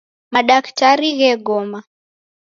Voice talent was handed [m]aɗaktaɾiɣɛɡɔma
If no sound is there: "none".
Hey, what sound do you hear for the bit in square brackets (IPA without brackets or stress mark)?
m